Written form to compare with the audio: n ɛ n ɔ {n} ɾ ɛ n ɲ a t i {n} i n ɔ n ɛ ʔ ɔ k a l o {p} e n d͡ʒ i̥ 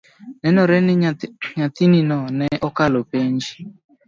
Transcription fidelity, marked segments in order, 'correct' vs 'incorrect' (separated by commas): incorrect, correct, correct